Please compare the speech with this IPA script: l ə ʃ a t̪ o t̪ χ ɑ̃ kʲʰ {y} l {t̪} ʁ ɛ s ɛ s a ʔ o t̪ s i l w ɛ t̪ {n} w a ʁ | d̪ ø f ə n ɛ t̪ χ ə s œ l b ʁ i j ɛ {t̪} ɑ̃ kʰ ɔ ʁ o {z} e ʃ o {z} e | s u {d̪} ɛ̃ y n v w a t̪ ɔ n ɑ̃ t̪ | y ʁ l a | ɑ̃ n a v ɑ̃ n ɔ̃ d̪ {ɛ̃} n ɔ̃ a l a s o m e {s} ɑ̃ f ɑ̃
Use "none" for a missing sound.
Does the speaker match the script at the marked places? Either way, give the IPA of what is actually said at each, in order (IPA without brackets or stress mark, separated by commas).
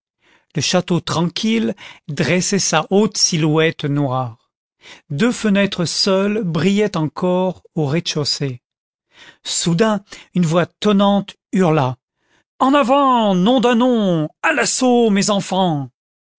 i, d̪, n, t̪, ʁ, s, d̪, ɛ̃, z